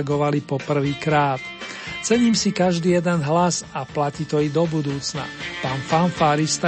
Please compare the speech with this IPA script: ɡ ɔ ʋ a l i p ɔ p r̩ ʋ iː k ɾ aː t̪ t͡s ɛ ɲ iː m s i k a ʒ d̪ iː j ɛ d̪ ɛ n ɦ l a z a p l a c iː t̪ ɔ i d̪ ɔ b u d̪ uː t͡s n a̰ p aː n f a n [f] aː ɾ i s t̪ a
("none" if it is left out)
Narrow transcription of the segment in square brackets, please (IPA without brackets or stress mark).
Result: f